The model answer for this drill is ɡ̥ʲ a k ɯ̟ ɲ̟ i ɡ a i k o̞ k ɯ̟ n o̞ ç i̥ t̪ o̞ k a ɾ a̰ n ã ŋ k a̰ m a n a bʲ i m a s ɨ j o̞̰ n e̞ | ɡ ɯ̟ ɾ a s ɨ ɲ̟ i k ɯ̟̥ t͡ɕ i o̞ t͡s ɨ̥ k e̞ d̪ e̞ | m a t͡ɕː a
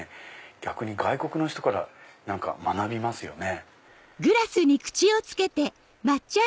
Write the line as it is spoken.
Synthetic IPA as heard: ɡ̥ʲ a k ɯ̟ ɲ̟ i ɡ a i k o̞ k ɯ̟ n o̞ ç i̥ t̪ o̞ k a ɾ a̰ n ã ŋ k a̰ m a n a bʲ i m a s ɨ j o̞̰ n e̞ | ɡ ɯ̟ ɾ a s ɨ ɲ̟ i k ɯ̟̥ t͡ɕ i o̞ t͡s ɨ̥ k e̞ t̪ e̞ | m a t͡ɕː a